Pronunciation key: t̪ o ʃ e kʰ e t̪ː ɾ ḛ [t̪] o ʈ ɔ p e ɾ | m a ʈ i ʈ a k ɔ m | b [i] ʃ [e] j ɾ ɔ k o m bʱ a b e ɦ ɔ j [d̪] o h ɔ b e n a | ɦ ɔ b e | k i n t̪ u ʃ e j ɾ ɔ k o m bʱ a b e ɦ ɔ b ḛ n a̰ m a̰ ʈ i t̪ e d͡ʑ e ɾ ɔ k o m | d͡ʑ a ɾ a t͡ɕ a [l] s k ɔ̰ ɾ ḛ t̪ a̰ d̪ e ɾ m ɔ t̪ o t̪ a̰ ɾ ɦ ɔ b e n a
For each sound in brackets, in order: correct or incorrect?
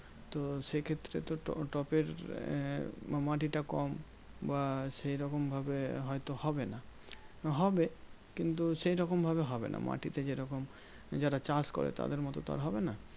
correct, incorrect, correct, incorrect, incorrect

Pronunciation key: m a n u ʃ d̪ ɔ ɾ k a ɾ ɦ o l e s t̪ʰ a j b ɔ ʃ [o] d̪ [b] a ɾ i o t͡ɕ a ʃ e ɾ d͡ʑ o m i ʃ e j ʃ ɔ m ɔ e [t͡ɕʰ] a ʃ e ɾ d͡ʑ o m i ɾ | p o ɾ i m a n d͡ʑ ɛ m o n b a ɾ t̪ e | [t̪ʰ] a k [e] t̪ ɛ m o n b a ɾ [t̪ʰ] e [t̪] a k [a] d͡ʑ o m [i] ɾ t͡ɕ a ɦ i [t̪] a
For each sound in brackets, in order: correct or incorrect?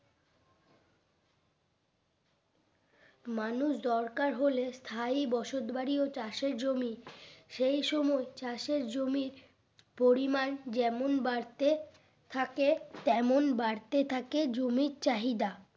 correct, correct, incorrect, correct, correct, incorrect, incorrect, incorrect, correct, incorrect

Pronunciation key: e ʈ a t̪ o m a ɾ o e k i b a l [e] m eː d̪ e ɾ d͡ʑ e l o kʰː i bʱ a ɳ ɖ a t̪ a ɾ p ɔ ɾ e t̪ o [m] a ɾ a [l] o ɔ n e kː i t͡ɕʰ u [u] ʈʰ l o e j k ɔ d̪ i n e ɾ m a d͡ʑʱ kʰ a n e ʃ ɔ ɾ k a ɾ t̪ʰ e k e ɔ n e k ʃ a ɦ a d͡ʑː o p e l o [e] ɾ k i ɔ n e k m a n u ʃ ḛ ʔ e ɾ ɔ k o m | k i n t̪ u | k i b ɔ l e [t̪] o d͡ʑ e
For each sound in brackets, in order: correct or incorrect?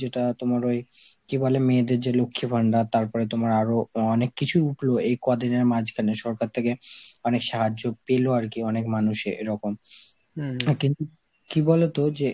correct, correct, incorrect, correct, incorrect, correct

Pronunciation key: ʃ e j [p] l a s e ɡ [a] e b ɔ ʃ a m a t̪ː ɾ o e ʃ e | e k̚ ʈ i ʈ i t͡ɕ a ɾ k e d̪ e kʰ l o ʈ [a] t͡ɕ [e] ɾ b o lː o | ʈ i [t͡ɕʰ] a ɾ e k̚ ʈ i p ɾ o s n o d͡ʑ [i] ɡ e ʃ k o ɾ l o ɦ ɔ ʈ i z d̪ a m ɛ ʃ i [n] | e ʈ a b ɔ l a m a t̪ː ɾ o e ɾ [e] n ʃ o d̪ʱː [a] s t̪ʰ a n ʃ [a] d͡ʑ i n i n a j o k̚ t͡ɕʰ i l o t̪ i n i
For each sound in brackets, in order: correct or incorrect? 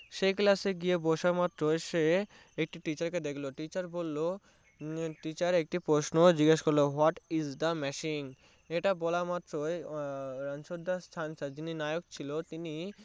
incorrect, incorrect, incorrect, incorrect, incorrect, correct, incorrect, incorrect, correct, correct

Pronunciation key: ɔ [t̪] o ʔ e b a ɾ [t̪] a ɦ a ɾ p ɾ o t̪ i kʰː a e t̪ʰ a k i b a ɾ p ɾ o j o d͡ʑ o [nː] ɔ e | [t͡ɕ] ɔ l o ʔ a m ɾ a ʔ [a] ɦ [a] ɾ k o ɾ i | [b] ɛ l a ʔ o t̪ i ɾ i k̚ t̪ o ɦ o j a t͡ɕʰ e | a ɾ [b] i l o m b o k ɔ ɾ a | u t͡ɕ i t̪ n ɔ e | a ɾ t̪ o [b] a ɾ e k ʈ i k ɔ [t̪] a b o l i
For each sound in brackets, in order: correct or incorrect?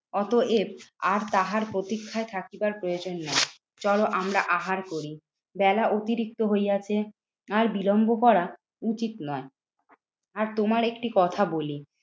correct, correct, correct, correct, correct, correct, correct, correct, incorrect, incorrect

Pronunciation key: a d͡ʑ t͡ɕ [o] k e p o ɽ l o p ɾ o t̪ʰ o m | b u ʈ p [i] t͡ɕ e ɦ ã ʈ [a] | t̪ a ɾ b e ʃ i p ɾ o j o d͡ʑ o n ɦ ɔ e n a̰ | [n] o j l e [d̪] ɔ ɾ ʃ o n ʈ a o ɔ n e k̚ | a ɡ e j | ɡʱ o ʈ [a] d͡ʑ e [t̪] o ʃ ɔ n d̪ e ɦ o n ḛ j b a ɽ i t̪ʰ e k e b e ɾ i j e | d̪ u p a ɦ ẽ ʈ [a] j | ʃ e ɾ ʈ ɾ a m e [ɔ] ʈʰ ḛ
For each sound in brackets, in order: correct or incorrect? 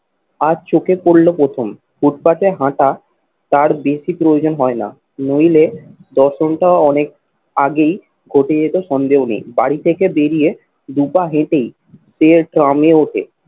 correct, incorrect, correct, correct, correct, incorrect, correct, incorrect, incorrect

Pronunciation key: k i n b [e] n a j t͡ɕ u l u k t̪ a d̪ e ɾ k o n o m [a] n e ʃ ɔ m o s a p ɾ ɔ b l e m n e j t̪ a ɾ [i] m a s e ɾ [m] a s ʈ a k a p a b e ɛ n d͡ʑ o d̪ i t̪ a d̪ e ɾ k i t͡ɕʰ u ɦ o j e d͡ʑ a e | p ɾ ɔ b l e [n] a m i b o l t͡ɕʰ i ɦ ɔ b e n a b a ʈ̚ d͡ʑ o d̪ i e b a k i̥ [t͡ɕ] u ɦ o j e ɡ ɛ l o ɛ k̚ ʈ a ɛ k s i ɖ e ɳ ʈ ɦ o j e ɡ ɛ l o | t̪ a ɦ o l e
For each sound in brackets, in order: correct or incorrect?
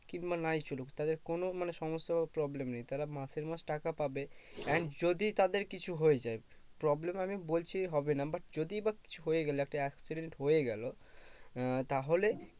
incorrect, correct, incorrect, correct, incorrect, incorrect

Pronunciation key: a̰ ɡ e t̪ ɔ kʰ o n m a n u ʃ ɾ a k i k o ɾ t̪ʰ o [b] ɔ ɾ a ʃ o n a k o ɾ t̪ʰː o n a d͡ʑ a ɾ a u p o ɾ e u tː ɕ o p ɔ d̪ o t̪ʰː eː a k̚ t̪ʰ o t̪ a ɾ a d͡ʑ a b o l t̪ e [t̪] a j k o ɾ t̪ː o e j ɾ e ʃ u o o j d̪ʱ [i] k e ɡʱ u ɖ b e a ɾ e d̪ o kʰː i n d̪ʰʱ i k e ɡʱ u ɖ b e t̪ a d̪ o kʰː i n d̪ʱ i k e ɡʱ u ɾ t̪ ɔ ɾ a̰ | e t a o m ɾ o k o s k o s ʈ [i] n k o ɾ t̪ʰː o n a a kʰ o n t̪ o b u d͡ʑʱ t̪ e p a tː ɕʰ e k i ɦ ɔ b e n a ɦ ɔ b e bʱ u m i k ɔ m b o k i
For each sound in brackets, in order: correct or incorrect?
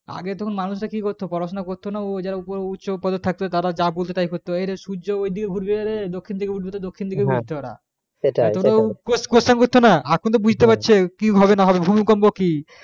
incorrect, correct, correct, incorrect

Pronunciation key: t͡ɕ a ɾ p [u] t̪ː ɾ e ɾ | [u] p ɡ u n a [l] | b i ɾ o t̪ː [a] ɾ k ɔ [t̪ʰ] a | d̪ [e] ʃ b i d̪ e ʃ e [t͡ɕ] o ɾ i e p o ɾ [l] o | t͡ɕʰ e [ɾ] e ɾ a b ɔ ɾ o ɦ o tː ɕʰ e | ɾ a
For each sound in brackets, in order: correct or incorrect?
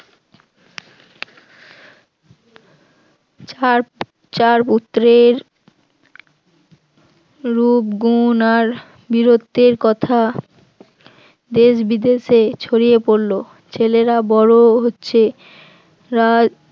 correct, correct, incorrect, incorrect, correct, correct, incorrect, correct, incorrect

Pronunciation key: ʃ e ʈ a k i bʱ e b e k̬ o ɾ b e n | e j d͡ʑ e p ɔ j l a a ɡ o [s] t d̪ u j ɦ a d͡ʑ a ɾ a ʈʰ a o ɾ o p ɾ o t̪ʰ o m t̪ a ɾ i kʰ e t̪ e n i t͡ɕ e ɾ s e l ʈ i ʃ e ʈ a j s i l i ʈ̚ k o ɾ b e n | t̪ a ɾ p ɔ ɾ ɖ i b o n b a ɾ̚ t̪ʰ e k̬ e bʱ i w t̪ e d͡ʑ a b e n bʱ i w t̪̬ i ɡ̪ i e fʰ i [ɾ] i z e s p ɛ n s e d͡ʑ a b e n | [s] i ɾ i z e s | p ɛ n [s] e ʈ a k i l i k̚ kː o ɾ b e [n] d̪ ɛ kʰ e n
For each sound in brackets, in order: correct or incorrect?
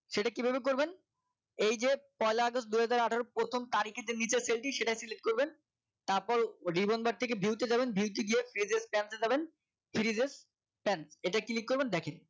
correct, correct, incorrect, correct, correct

